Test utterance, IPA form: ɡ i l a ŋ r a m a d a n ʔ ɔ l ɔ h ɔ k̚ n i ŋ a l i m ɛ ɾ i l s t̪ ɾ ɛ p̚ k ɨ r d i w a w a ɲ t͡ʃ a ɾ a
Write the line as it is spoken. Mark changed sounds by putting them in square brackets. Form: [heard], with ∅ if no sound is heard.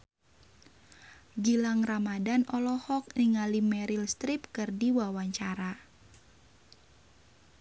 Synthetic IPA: ɡ i l a ŋ r a m a d a n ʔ ɔ l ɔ h ɔ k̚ n i ŋ a l i m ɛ ɾ i l s t̪ ɾ [i] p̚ k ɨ r d i w a w a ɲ t͡ʃ a ɾ a